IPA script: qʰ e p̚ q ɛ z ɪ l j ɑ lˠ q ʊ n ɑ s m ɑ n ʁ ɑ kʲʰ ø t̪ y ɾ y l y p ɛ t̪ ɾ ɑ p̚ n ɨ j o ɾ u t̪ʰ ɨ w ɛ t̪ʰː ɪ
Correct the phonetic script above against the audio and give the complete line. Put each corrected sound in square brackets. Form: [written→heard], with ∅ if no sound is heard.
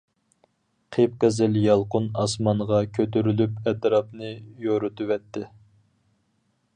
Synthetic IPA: qʰ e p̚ q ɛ z ɪ l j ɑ lˠ q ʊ n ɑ s m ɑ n ʁ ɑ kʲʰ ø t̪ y ɾ y l y p ɛ t̪ ɾ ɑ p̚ n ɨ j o ɾ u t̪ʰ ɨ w ɛ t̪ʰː ɪ